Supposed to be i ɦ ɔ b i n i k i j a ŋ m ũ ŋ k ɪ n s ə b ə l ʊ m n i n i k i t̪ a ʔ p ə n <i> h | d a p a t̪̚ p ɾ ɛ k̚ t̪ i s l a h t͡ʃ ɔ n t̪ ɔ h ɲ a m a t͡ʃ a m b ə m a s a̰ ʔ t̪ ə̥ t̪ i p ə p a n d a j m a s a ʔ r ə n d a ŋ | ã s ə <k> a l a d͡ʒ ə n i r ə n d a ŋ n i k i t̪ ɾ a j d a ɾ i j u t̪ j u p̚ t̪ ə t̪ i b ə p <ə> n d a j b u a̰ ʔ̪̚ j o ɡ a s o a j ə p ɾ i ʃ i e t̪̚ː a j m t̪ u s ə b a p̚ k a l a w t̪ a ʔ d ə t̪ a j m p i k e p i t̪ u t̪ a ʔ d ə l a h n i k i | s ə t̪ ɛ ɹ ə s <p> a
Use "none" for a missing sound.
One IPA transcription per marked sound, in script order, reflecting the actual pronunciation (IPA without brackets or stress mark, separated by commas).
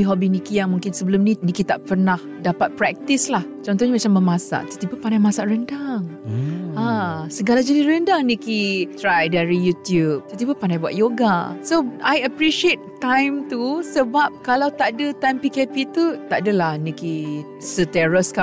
a, ɡ, a, k